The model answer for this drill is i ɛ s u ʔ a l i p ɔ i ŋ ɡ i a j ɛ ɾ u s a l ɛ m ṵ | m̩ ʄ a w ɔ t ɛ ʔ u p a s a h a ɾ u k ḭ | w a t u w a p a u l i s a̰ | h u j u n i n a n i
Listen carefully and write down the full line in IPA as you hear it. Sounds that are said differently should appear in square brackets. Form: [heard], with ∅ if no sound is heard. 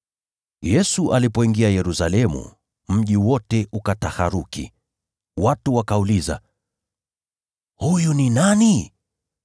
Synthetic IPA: [j] ɛ s u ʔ a l i p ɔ i ŋ ɡ i a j ɛ ɾ u s a l ɛ m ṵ | m̩ ʄ [i] w ɔ t ɛ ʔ u [k] a [t] a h a ɾ u k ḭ | w a t u w a [k] a u l i [z] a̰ | h u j u n i n a n i